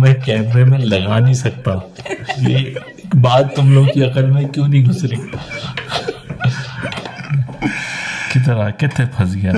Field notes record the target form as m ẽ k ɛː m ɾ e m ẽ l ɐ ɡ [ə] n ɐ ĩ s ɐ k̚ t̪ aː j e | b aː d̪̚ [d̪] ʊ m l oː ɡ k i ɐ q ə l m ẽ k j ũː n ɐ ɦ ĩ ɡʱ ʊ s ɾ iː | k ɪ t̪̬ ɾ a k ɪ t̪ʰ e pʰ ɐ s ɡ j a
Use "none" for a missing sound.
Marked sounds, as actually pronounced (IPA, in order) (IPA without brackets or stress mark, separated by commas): a, t̪